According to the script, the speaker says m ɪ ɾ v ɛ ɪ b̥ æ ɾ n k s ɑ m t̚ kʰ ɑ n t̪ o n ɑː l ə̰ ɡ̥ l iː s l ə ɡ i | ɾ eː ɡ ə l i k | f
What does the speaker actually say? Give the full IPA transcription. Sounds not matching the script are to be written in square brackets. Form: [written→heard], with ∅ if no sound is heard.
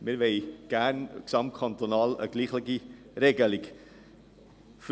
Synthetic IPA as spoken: m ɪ ɾ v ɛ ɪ [b̥→ɡ̥] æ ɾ n k s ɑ m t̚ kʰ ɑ n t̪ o n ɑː l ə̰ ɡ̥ l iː [s→χ] l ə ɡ i | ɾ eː ɡ ə l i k | f